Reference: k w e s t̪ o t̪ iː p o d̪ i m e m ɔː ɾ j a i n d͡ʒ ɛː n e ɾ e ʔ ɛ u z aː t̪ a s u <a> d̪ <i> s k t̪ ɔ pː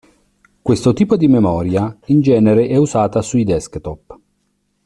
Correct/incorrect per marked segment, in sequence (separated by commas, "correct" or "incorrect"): incorrect, incorrect